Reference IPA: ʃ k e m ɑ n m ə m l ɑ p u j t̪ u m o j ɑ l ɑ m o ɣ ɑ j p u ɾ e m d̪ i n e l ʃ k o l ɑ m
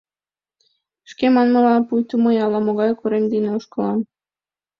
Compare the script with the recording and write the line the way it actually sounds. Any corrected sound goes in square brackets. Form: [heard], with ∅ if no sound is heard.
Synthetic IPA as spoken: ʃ k e m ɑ n m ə [∅] l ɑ p u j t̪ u m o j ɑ l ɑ m o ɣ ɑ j [k] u ɾ e m d̪ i n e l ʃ k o l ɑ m